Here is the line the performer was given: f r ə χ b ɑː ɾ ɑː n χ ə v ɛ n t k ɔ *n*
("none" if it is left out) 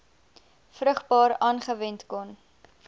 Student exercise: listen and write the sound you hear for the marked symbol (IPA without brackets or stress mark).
n